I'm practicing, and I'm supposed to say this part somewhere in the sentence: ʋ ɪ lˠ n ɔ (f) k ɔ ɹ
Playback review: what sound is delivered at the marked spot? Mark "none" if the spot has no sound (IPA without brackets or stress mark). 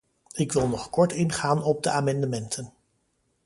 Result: χ